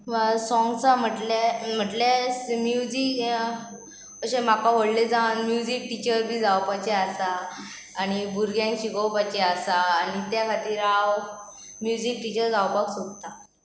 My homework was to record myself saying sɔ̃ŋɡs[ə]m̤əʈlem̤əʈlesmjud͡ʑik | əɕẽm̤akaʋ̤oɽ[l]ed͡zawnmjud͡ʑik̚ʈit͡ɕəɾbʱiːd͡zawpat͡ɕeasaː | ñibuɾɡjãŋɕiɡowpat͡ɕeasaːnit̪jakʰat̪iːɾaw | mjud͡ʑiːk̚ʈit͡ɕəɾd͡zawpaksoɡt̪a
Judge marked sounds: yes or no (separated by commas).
no, yes